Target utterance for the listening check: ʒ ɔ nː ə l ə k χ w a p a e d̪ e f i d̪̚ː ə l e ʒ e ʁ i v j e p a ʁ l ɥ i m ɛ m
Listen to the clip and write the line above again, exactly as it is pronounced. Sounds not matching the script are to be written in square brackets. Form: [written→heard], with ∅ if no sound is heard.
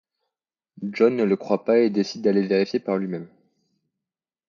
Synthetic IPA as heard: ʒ ɔ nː ə l ə k χ w a p a e d̪ e [f→s] i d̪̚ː [ə→a] l e [ʒ→v] e ʁ i [v→f] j e p a ʁ l ɥ i m ɛ m